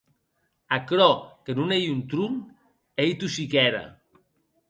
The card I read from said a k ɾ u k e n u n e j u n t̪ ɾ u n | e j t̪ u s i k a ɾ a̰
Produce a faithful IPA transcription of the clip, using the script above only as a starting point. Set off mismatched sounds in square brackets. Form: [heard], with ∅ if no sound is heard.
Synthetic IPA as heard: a k ɾ [ɔ] k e n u n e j u n t̪ ɾ u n | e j t̪ u s i k [ɛ] ɾ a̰